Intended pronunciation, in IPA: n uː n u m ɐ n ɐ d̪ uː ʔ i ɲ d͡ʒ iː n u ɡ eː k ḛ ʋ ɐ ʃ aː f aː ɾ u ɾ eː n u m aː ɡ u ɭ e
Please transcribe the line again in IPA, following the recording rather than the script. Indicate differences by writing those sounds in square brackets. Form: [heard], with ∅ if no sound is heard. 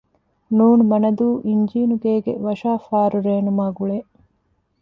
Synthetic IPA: n uː n u m ɐ n ɐ d̪ uː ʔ i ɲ d͡ʒ iː n u ɡ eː [ɡ] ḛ ʋ ɐ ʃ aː f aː ɾ u ɾ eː n u m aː ɡ u ɭ e

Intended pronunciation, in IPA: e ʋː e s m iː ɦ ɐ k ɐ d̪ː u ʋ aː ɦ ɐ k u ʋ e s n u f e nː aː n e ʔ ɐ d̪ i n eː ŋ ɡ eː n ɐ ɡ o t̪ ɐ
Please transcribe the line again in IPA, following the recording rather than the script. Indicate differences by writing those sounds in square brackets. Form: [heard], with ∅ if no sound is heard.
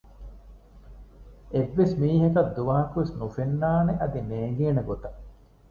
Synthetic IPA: e ʋː e s m iː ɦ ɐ k ɐ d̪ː u ʋ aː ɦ ɐ k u ʋ e s n u f e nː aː n e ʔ ɐ d̪ i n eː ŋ ɡ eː n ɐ ɡ o t̪ ɐ

